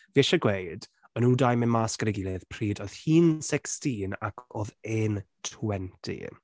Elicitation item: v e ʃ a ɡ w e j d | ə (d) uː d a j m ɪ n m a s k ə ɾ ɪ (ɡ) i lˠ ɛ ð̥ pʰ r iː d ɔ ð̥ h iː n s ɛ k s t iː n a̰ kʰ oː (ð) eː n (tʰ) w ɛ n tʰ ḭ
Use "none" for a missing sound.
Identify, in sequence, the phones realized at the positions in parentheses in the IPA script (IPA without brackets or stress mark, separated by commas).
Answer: n, ɡ, ð, tʰ